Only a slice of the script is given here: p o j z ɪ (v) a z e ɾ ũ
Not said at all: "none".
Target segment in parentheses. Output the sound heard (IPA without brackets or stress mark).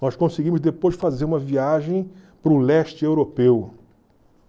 f